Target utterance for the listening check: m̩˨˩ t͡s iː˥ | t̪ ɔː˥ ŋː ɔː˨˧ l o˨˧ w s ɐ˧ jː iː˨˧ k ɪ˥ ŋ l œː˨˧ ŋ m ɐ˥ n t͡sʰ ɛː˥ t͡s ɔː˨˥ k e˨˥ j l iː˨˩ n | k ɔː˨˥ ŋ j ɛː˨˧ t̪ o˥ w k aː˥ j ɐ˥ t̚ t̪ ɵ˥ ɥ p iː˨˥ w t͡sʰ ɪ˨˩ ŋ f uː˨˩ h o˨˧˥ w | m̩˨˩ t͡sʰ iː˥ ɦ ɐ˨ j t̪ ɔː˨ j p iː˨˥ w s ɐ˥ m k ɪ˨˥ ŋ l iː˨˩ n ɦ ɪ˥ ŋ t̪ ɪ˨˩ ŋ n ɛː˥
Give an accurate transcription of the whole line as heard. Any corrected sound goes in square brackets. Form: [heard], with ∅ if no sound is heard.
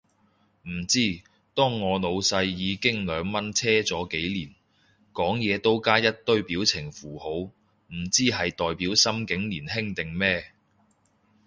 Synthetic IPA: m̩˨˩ t͡s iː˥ | t̪ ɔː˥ ŋː ɔː˨˧ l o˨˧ w s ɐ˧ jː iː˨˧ k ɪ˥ ŋ l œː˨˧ ŋ m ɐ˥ n t͡sʰ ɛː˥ t͡s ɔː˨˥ k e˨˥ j l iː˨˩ n | k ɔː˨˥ ŋ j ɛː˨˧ t̪ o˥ w k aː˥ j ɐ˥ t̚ t̪ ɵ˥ ɥ p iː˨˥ w t͡sʰ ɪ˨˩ ŋ f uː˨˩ h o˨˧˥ w | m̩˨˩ [t͡s] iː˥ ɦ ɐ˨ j t̪ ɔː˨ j p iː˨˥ w s ɐ˥ m k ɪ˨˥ ŋ l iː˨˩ n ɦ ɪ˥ ŋ t̪ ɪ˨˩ ŋ [m] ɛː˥